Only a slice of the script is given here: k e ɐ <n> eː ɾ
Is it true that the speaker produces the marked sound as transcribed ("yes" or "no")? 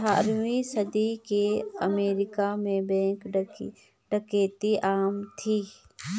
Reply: no